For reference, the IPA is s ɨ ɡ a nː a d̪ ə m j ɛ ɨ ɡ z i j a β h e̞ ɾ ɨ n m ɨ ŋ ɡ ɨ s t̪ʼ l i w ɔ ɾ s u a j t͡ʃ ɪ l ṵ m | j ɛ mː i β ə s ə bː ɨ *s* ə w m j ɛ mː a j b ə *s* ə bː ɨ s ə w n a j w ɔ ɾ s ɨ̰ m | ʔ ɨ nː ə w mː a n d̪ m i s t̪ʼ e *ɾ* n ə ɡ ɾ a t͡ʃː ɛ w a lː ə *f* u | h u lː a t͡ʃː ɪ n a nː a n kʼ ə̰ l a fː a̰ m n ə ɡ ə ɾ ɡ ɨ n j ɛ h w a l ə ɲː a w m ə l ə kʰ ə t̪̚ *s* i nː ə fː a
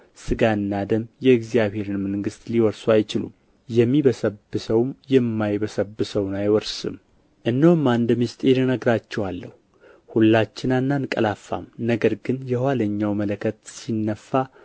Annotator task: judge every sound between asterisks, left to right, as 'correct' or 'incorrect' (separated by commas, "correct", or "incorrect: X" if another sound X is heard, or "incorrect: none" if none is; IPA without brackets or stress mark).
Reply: correct, correct, correct, incorrect: h, correct